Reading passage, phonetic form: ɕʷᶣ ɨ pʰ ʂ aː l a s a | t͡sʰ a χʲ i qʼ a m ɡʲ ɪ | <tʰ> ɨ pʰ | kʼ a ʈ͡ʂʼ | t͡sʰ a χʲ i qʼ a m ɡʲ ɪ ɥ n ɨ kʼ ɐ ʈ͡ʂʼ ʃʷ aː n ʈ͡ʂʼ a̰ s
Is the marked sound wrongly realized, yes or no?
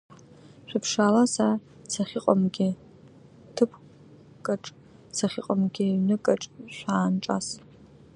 no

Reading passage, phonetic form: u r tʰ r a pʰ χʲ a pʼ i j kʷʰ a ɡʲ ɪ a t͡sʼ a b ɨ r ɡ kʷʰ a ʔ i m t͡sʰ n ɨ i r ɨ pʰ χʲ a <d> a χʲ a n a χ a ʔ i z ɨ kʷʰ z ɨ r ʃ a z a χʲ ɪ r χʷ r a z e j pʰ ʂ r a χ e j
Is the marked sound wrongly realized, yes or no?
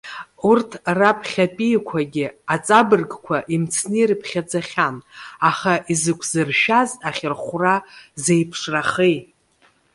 yes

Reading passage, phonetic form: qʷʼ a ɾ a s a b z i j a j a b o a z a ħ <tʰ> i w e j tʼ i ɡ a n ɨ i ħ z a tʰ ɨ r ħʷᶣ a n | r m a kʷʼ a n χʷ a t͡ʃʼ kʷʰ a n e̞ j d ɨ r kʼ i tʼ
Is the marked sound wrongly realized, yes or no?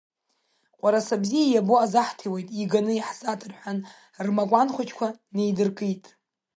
no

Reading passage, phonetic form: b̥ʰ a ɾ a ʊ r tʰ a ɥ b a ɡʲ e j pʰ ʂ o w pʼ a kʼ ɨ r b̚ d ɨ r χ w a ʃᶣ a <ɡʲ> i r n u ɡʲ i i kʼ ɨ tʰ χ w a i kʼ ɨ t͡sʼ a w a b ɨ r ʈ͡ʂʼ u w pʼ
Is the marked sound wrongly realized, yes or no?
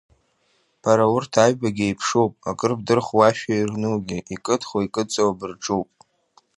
yes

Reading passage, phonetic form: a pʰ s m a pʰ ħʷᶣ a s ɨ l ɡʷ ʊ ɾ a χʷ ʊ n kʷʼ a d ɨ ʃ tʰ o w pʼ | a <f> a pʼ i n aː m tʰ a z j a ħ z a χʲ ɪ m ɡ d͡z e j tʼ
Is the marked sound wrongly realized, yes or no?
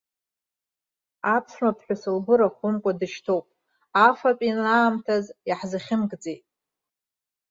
no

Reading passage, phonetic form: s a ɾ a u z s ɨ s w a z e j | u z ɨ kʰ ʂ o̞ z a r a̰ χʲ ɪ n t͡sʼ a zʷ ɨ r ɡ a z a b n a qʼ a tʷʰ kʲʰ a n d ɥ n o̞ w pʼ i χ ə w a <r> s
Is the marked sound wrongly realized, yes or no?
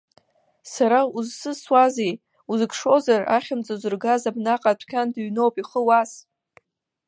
yes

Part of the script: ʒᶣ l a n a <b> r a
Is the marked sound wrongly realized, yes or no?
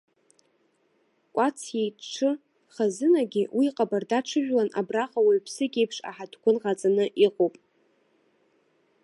no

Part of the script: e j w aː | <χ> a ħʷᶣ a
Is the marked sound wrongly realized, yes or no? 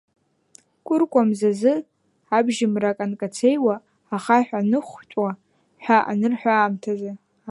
no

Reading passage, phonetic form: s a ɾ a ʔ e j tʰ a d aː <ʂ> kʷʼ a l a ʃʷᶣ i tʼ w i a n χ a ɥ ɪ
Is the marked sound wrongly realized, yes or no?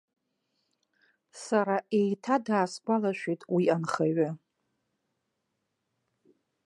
yes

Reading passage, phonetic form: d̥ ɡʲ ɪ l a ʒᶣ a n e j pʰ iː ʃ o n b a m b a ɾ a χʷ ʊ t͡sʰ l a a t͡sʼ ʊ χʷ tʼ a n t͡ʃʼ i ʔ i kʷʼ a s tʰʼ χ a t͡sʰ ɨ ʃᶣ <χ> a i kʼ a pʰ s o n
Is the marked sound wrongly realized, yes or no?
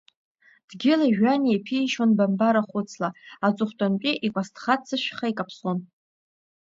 no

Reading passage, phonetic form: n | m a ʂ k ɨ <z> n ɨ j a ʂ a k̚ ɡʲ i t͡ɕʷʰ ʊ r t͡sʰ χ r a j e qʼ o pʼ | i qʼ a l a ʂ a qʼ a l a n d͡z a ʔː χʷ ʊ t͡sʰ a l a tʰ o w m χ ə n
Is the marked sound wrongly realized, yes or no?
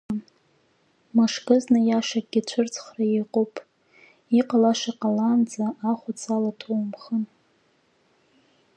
no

